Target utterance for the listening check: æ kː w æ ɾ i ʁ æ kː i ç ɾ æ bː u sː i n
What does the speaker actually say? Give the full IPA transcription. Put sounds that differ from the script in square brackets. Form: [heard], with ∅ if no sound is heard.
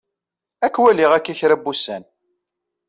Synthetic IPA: æ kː w æ [l] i ʁ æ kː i ç ɾ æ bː u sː [æ] n